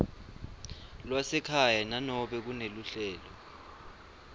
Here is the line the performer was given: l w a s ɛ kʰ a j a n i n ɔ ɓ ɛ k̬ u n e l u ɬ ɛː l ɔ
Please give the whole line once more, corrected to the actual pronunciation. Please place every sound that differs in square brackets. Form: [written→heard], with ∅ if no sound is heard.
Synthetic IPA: l w a s ɛ kʰ a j a n [i→a] n ɔ ɓ ɛ k̬ u n e l u ɬ ɛː l ɔ